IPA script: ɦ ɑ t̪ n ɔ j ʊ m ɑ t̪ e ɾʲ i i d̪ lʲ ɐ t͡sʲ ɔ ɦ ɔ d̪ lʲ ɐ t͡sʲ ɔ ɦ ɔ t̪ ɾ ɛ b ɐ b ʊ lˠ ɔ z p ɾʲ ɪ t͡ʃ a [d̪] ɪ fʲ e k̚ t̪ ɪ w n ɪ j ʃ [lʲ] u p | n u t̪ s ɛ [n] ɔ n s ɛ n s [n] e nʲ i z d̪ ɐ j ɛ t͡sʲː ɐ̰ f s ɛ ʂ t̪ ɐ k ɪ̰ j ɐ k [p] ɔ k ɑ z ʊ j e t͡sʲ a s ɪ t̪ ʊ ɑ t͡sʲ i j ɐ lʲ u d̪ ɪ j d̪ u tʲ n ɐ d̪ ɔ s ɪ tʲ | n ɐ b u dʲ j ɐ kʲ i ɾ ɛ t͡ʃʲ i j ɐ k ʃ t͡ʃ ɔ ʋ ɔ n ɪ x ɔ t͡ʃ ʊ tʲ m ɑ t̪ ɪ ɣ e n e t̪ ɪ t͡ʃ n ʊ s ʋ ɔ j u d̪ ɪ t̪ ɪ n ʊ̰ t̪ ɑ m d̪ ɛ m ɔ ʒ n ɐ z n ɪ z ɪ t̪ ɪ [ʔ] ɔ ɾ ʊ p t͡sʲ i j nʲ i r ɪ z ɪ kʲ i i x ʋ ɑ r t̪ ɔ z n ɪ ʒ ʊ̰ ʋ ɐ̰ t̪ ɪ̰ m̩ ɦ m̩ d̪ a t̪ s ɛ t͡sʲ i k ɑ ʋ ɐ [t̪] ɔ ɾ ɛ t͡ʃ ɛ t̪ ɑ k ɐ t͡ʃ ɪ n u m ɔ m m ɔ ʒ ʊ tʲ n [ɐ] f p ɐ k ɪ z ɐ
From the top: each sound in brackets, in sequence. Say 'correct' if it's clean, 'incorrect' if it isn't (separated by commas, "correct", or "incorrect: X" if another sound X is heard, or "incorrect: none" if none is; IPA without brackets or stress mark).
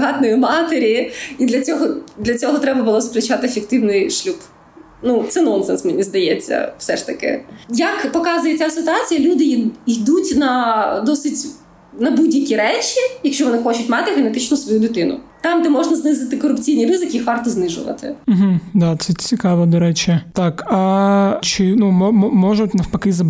incorrect: t̪, correct, correct, incorrect: m, correct, incorrect: k, incorrect: d̪, correct